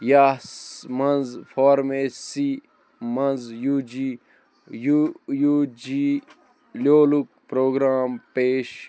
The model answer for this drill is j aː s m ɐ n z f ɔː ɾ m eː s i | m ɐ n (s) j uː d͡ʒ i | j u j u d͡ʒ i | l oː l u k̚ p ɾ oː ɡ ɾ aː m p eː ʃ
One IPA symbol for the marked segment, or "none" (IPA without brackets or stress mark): z